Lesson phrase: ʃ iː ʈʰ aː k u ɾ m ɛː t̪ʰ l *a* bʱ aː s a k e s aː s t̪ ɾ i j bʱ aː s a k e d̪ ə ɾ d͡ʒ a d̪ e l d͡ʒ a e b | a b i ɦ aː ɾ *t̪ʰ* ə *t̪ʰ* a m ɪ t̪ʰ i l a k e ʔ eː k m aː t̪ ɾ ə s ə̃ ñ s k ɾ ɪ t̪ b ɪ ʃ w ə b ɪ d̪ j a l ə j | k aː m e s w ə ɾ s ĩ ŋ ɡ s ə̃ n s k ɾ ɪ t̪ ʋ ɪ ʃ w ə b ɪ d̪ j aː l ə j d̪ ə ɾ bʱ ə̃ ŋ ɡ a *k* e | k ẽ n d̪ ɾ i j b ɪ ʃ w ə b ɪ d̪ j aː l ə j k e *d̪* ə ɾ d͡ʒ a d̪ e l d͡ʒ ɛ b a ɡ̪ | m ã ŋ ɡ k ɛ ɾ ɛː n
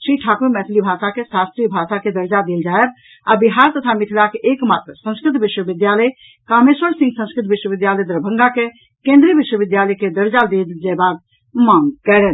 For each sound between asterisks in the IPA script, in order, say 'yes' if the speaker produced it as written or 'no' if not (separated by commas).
no, no, yes, yes, yes